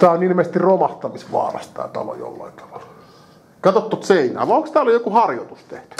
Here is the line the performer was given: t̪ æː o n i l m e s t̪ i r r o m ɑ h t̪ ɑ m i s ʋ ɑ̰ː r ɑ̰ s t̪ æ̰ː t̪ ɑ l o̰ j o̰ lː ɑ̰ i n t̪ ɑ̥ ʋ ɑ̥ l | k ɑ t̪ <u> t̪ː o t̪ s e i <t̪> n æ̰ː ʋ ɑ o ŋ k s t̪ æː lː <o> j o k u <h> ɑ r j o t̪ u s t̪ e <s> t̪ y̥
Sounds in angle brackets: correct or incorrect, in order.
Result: incorrect: o, incorrect: none, correct, correct, incorrect: h

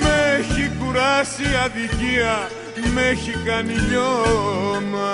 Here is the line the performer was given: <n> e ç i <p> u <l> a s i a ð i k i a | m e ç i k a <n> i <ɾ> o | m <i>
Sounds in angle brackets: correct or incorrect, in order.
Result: incorrect: m, incorrect: k, incorrect: ɾ, correct, incorrect: ʎ, incorrect: a

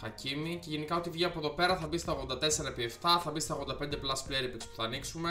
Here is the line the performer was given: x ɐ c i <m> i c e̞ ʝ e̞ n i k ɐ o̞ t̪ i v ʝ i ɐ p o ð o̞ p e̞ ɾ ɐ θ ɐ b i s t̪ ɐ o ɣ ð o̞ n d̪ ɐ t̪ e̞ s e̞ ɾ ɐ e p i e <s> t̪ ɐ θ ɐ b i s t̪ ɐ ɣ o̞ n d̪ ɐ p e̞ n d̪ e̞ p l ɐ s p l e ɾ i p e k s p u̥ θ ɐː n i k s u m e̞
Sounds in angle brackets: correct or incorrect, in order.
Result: correct, incorrect: f

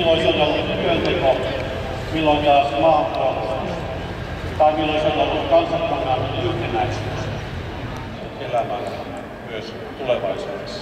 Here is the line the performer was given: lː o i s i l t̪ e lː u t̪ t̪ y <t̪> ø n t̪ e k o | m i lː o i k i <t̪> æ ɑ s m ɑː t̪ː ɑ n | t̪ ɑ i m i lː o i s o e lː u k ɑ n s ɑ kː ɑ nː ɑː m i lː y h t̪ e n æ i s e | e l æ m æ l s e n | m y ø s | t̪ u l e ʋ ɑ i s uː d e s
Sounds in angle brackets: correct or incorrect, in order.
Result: incorrect: none, incorrect: none

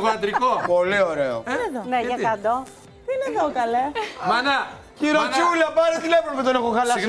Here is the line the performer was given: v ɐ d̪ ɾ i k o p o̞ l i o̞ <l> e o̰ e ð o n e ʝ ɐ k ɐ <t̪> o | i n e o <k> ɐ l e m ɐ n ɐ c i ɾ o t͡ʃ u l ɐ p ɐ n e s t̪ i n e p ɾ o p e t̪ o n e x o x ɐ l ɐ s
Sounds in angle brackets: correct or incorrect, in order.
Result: incorrect: ɾ, incorrect: d̪, correct

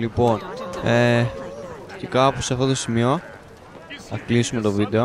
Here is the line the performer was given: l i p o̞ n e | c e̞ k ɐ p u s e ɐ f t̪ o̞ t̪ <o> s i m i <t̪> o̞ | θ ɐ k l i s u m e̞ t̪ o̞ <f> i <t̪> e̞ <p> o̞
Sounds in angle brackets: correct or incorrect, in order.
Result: correct, incorrect: none, incorrect: v, incorrect: d̪, incorrect: none

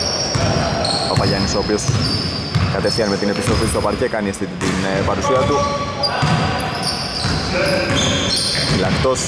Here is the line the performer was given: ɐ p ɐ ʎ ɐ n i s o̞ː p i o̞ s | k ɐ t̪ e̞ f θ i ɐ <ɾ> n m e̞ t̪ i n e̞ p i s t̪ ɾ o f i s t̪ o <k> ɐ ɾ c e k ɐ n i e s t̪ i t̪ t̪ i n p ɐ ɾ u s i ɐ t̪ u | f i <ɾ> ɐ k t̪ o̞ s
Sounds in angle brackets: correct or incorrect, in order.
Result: incorrect: none, incorrect: p, incorrect: l

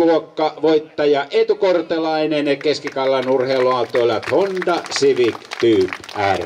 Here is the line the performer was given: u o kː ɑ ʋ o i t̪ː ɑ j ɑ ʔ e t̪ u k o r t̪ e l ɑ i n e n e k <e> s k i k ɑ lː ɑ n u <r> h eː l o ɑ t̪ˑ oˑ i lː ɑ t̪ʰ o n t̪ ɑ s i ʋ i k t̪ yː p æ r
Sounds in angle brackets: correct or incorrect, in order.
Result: correct, correct

